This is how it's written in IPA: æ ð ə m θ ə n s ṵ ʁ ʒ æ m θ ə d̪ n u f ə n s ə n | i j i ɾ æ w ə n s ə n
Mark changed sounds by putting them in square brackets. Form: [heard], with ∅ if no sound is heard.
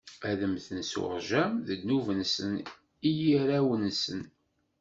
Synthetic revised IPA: æ ð ə m θ ə n s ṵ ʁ ʒ æ m [ð] ə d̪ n u [v] ə n s ə n | i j i ɾ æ w ə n s ə n